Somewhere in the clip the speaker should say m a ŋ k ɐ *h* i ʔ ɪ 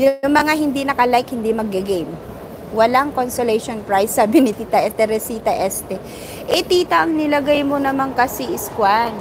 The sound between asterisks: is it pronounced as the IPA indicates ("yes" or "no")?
no